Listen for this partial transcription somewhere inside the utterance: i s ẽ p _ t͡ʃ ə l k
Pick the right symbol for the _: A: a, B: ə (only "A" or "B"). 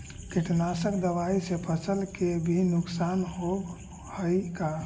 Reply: B